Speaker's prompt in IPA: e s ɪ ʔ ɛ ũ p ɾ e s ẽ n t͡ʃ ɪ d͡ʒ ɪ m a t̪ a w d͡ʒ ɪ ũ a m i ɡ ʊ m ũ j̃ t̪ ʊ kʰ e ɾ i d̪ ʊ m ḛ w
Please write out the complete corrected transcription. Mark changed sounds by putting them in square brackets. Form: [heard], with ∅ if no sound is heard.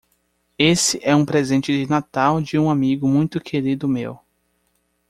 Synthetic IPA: e s ɪ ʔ ɛ ũ p ɾ e [z] ẽ n t͡ʃ ɪ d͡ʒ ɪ [n] a t̪ a w d͡ʒ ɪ ũ a m i ɡ ʊ m ũ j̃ t̪ ʊ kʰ e ɾ i d̪ ʊ m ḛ w

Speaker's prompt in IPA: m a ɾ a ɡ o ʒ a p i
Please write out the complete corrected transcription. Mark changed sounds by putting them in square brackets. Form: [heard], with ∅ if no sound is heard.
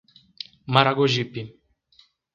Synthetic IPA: m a ɾ a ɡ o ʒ [i] p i

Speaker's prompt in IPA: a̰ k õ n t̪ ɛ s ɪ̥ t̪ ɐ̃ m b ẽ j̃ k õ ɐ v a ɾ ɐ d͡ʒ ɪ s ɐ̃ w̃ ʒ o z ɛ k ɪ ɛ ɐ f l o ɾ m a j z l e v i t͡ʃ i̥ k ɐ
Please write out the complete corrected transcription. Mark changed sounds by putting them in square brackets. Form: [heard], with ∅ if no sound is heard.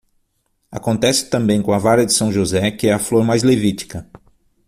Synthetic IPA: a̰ k õ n t̪ ɛ s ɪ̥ t̪ ɐ̃ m b ẽ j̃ k õ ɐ v a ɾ ɐ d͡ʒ ɪ s ɐ̃ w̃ ʒ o z ɛ k ɪ ɛ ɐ f l o ɾ m a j z l e v i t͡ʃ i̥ k ɐ

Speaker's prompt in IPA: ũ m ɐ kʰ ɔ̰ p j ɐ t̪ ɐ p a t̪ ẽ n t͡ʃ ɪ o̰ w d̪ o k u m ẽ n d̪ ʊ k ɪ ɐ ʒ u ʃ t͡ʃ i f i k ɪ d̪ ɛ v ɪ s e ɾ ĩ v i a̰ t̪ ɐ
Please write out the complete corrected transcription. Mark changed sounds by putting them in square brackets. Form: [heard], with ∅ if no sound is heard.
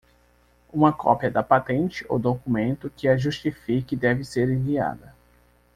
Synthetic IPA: ũ m ɐ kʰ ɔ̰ p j ɐ [d̪] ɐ p a t̪ ẽ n t͡ʃ ɪ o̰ w d̪ o k u m ẽ n [t̪] ʊ k ɪ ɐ ʒ u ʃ t͡ʃ i f i k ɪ d̪ ɛ v ɪ s e ɾ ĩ v i a̰ [d̪] ɐ

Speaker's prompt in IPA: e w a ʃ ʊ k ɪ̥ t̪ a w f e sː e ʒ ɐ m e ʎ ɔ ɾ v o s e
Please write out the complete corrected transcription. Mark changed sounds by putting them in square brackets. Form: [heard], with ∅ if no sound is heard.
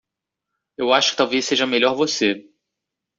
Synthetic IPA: e w a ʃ ʊ k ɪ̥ t̪ a w [v] e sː e ʒ ɐ m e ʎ ɔ ɾ v o s e

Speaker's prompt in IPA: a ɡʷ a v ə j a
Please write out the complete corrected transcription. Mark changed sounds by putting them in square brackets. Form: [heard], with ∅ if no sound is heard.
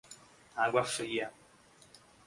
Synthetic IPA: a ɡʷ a [f] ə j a

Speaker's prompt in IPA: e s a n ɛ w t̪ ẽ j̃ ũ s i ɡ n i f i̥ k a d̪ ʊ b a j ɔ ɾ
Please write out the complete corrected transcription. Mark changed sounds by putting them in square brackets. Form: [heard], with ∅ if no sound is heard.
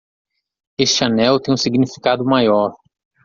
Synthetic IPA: e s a n ɛ w t̪ ẽ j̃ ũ s i ɡ n i f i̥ k a d̪ ʊ [m] a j ɔ ɾ

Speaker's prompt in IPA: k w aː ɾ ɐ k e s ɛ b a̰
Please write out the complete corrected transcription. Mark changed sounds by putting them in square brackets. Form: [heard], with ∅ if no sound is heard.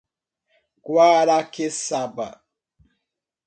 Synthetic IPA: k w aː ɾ [a] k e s [a] b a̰

